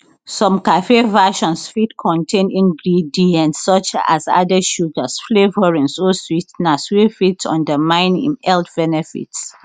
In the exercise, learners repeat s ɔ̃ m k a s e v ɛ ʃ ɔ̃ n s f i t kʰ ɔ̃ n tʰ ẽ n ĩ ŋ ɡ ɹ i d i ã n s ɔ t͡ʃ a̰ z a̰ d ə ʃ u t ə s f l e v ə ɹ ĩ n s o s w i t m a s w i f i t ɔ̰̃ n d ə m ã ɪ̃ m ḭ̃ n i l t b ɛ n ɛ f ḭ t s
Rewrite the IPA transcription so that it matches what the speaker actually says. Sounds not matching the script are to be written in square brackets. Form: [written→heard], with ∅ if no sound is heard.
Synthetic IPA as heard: s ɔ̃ m k a [s→f] e v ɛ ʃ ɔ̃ n s f i t kʰ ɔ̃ n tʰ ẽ n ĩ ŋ ɡ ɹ i d i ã n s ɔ t͡ʃ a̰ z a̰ d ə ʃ u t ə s f l e v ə ɹ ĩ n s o s w i t [m→n] a s w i f i t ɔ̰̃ n d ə m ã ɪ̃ [m→n] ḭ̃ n [i→ɛ] l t b ɛ n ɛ f ḭ t s